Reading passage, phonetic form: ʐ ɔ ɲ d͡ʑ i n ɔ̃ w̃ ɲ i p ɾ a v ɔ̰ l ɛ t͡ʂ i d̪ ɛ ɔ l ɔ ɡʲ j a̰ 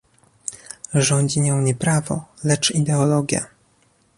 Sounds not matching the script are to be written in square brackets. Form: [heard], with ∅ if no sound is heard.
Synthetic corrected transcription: ʐ ɔ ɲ d͡ʑ i [ɲ] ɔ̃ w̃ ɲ [ɛ] p ɾ a v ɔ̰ l ɛ t͡ʂ i d̪ ɛ ɔ l ɔ ɡʲ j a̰